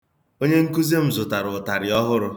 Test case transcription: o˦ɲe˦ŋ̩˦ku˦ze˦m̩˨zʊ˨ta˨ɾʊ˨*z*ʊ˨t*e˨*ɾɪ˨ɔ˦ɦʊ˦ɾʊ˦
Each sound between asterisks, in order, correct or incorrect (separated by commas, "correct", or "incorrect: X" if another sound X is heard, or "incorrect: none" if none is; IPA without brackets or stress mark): incorrect: none, incorrect: a˨